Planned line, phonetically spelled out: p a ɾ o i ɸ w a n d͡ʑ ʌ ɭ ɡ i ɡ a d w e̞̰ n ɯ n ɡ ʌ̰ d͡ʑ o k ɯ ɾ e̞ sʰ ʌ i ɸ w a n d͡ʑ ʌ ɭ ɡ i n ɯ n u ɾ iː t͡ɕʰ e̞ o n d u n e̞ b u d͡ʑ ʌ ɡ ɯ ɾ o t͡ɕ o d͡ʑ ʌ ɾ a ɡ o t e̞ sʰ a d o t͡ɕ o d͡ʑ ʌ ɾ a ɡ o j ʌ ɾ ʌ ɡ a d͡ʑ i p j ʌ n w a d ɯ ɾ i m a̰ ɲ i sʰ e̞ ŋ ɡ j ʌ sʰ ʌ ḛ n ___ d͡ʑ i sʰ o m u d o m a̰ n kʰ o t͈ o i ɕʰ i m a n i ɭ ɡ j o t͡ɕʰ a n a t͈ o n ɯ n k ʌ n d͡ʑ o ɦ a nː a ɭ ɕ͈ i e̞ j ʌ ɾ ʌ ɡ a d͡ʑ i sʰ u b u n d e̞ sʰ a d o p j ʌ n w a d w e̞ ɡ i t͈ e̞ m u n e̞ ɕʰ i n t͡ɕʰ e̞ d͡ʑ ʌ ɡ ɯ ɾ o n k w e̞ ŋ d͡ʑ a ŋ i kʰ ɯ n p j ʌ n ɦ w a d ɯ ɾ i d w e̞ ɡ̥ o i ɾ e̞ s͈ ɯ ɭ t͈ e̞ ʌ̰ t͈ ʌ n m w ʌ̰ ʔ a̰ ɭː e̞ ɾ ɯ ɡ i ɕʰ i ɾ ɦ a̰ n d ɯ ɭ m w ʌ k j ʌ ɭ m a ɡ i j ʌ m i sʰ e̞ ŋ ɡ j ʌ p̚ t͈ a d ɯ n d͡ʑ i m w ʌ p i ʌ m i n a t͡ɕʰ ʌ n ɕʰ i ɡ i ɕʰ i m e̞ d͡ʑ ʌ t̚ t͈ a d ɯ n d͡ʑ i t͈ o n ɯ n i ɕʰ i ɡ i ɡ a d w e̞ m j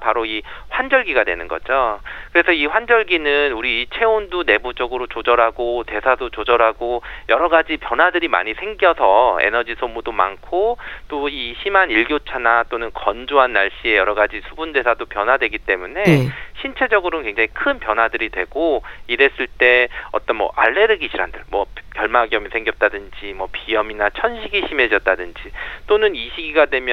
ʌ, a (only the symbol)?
ʌ